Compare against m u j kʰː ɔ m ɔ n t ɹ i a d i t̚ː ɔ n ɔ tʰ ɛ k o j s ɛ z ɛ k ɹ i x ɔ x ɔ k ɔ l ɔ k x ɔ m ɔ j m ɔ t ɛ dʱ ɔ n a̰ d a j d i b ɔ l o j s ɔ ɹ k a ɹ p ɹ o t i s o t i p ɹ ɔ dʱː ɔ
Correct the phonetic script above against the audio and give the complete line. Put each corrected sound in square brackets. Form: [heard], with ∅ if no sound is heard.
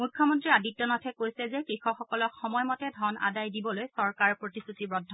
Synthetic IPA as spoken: m u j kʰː ɔ m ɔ n t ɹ i a d i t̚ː ɔ n ɔ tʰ ɛ k o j s ɛ z ɛ k ɹ i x ɔ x ɔ k ɔ l ɔ k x ɔ m ɔ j m ɔ t ɛ dʱ ɔ n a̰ d a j d i b ɔ l o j s ɔ ɹ k a ɹ p ɹ o t i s [u] t i [b] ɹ ɔ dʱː ɔ